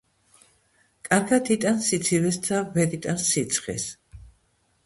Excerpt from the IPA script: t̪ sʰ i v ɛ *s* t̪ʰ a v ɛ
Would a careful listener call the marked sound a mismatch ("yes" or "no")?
no